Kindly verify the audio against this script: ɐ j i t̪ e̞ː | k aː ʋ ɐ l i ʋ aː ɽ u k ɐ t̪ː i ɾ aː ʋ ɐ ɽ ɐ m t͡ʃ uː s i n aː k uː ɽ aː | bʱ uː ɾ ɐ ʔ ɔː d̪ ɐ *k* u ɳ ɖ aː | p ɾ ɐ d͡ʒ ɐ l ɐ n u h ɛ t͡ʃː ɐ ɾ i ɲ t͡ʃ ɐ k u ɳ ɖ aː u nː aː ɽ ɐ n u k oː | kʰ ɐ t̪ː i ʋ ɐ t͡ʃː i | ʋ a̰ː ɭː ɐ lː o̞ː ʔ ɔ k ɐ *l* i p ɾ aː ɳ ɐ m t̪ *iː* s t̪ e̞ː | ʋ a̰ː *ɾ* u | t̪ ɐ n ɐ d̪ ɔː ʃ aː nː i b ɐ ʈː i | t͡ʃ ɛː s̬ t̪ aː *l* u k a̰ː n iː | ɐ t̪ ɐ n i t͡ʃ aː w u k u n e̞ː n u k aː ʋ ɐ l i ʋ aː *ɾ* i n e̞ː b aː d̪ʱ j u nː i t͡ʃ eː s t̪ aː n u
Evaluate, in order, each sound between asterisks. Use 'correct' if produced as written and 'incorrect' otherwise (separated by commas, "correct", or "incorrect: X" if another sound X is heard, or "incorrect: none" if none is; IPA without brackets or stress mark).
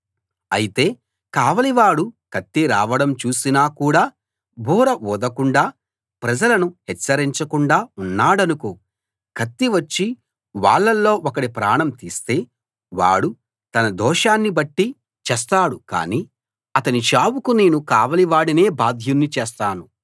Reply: correct, incorrect: ɽ, correct, incorrect: ɽ, incorrect: ɽ, incorrect: ɽ